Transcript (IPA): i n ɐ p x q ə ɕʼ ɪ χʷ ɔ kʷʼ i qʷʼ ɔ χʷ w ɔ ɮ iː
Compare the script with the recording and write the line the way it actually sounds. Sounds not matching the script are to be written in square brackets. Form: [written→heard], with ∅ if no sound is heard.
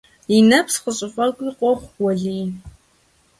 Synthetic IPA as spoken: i n ɐ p [x→s] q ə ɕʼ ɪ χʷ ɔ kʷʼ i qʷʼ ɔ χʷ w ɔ ɮ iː